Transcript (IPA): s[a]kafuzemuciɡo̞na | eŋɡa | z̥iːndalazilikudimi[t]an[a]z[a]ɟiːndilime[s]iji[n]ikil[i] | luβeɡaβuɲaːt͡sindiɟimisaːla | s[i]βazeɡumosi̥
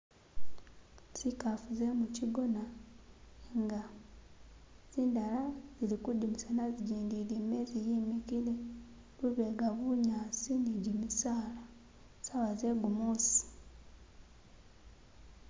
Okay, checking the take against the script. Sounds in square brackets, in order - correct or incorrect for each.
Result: incorrect, incorrect, correct, incorrect, incorrect, incorrect, incorrect, incorrect

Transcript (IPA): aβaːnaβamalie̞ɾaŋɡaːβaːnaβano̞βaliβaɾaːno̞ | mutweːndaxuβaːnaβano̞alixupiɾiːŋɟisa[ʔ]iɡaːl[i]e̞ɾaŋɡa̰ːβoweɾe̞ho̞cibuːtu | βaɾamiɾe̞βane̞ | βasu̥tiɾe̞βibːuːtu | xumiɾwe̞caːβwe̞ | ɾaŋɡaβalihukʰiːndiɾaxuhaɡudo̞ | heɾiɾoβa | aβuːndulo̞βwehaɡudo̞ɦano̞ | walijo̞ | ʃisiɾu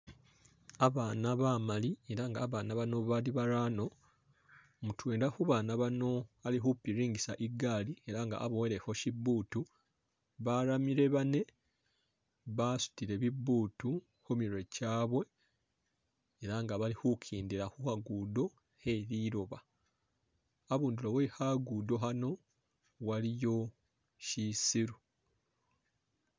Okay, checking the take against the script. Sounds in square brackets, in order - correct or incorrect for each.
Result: correct, correct

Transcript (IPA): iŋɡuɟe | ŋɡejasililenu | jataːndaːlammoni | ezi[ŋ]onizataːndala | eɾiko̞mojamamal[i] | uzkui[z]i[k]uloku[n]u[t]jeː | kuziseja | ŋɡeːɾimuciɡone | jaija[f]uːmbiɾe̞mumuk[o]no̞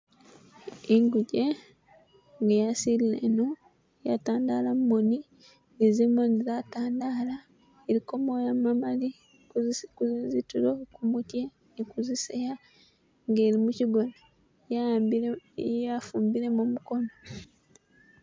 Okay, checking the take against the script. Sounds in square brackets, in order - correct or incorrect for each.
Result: incorrect, correct, correct, incorrect, incorrect, correct, correct, correct

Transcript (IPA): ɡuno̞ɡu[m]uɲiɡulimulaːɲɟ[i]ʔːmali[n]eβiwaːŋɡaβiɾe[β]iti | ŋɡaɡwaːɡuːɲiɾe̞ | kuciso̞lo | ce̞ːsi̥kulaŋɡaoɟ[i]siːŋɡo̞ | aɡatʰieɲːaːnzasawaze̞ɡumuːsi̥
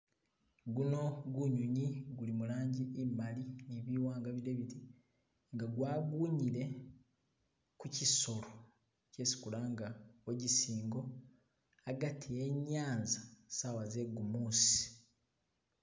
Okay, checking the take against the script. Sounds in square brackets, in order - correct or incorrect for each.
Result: incorrect, correct, correct, correct, correct

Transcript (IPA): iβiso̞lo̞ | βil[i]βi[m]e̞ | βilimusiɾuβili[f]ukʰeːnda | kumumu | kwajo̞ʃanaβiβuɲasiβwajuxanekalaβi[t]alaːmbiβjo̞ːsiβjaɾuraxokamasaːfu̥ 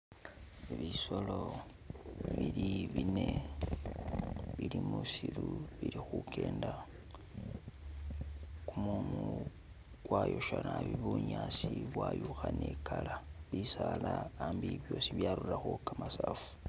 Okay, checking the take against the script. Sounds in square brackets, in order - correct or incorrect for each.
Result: correct, incorrect, incorrect, incorrect

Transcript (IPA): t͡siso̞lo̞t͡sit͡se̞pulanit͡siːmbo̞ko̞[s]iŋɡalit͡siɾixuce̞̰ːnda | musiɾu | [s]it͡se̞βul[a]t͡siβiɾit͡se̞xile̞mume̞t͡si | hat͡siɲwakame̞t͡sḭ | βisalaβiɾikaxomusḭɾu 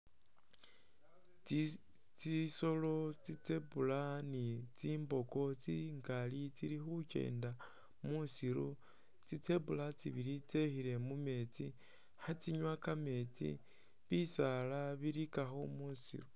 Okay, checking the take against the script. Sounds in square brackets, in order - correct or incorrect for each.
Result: incorrect, incorrect, correct

